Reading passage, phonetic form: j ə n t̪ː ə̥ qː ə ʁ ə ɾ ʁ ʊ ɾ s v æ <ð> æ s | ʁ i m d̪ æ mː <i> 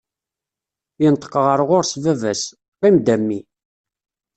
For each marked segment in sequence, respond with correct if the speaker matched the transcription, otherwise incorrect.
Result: incorrect: v, correct

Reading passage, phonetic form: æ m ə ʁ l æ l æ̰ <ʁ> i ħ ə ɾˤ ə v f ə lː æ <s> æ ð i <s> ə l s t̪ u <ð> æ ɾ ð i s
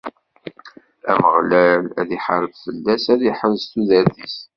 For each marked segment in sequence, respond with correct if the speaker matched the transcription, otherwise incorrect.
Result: incorrect: ð, correct, incorrect: ħ, correct

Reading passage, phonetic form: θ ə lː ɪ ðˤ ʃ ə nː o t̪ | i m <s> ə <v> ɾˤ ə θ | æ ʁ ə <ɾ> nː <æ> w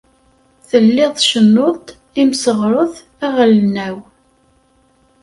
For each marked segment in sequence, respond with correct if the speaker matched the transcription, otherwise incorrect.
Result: correct, incorrect: ʁ, incorrect: l, correct

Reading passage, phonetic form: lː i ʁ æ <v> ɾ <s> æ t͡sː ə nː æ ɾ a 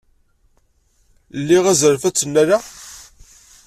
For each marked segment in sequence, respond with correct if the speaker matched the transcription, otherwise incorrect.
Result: incorrect: z, incorrect: f

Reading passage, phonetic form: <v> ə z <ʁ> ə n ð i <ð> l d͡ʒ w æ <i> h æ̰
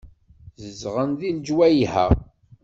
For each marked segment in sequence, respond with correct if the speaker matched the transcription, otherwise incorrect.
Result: incorrect: z, correct, incorrect: none, incorrect: j

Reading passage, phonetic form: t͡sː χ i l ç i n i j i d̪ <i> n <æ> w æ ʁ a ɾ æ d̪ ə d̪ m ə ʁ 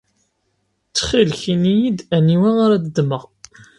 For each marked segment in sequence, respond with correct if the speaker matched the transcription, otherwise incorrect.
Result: incorrect: æ, incorrect: i

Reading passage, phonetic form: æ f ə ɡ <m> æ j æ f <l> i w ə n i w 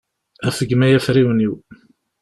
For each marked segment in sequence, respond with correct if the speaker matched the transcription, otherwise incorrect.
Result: correct, incorrect: ɾ

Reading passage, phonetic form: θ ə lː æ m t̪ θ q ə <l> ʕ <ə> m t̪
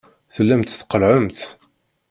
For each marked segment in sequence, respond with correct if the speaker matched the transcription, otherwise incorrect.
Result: correct, correct

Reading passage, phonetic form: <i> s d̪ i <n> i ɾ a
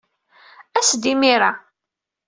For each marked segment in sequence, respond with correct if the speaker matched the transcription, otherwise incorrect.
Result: incorrect: æ, incorrect: m

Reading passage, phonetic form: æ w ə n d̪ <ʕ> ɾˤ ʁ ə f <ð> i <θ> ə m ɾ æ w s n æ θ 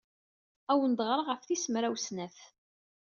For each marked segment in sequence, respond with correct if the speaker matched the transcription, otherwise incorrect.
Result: incorrect: ʁ, incorrect: θ, incorrect: s

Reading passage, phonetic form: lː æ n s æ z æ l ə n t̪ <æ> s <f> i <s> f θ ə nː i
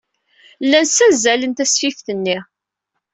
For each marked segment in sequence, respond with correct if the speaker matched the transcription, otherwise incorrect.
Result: correct, correct, incorrect: none

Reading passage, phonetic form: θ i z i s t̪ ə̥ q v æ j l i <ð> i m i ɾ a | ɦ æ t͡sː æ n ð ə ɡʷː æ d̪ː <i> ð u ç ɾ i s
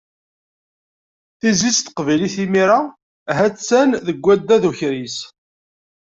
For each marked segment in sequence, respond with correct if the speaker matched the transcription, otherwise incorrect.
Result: incorrect: θ, incorrect: æ

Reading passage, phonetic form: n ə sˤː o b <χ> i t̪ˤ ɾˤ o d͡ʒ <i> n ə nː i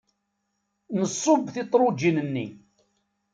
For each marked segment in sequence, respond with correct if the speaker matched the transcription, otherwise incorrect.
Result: incorrect: θ, correct

